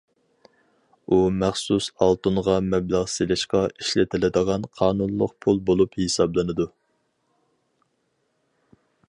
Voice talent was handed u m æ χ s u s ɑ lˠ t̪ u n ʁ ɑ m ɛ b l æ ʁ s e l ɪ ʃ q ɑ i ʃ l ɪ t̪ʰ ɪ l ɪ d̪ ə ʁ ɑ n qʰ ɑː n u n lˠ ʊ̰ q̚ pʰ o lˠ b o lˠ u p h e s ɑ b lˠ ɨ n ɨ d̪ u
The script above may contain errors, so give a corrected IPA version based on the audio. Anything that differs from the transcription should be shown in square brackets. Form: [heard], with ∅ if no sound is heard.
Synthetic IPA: u m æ χ s u s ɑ lˠ t̪ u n ʁ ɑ m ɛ b l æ ʁ s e l ɪ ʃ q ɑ i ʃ l ɪ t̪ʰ ɪ l ɪ d̪ ə ʁ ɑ n qʰ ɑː n u n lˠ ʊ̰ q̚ pʰ [u] lˠ b o lˠ u p h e s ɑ b lˠ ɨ n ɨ d̪ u